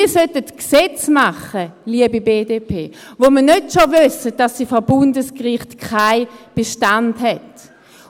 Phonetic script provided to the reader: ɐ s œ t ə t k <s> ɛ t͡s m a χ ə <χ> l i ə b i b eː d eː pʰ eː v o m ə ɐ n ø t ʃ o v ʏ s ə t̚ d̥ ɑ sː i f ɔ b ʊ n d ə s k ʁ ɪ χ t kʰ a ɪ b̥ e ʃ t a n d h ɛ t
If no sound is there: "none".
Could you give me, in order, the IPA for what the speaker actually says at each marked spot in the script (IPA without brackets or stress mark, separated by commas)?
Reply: s, none